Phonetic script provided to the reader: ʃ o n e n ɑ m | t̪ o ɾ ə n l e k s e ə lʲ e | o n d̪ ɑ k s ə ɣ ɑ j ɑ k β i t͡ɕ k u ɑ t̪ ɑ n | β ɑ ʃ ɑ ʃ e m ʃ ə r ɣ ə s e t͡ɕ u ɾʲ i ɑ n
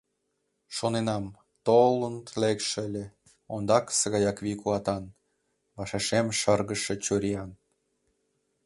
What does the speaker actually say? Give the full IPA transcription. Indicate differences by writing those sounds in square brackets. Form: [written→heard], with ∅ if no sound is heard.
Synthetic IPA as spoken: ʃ o n e n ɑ m | t̪ o [ɾ→l] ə n l e k [s→ʃ] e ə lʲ e | o n d̪ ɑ k s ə ɣ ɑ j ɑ k β i [t͡ɕ→∅] k u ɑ t̪ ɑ n | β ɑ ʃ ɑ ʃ e m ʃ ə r ɣ ə [s→ʃ] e t͡ɕ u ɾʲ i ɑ n